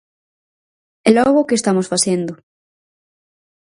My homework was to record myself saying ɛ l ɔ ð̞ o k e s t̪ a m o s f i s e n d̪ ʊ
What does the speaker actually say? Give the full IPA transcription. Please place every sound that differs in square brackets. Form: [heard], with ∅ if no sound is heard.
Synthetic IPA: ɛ l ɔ [ɣ̞] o k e s t̪ a m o s f [a] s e n d̪ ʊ